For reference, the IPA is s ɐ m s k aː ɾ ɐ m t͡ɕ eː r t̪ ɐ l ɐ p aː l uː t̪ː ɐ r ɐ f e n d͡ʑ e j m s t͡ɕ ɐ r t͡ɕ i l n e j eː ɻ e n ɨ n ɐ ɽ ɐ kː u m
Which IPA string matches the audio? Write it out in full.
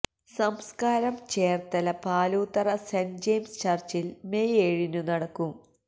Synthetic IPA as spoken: s ɐ m s k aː ɾ ɐ m t͡ɕ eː r t̪ ɐ l ɐ p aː l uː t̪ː ɐ r ɐ s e n d͡ʑ e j m s t͡ɕ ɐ r t͡ɕ i l m e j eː ɻ i n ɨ n ɐ ɽ ɐ kː u m